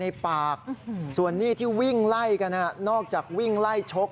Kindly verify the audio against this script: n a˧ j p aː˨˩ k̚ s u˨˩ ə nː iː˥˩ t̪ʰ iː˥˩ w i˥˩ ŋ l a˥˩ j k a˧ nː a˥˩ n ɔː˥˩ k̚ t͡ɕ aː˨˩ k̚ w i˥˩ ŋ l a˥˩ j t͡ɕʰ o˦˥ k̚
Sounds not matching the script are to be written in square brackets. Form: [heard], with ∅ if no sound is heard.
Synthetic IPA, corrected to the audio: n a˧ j p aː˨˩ k̚ s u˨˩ ə nː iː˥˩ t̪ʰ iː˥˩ w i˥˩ ŋ l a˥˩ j k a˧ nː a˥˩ n ɔː˥˩ k̚ t͡ɕ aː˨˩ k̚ w i˥˩ ŋ l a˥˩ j t͡ɕʰ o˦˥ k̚